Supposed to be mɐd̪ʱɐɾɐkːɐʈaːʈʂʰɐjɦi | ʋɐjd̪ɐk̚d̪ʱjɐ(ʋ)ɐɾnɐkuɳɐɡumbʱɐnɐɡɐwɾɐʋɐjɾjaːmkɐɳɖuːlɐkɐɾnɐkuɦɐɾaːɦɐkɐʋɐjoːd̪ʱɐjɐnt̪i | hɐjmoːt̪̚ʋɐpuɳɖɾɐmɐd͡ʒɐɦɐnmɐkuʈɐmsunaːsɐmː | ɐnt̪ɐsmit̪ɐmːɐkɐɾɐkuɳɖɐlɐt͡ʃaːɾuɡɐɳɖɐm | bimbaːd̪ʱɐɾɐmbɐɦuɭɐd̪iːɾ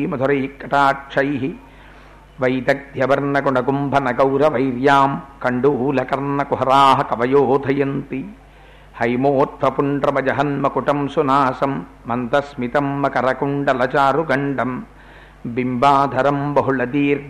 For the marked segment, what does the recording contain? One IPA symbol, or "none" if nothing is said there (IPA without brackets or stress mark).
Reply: ʋ